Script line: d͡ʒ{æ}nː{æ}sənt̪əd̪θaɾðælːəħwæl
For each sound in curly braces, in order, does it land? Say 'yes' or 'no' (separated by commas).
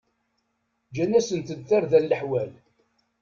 yes, yes